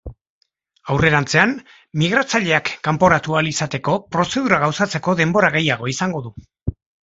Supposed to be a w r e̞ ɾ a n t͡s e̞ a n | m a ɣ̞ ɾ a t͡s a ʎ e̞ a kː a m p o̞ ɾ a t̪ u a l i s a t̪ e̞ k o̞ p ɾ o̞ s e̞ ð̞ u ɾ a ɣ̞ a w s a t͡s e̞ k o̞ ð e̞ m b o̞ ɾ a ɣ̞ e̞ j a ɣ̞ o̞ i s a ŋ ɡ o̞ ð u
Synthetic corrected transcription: a w r e̞ ɾ a n t͡s e̞ a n | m i ɣ̞ ɾ a t͡s a ʎ e̞ a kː a m p o̞ ɾ a t̪ u a l i s a t̪ e̞ k o̞ p ɾ o̞ s e̞ ð̞ u ɾ a ɣ̞ a w s a t͡s e̞ k o̞ ð e̞ m b o̞ ɾ a ɣ̞ e̞ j a ɣ̞ o̞ i s a ŋ ɡ o̞ ð u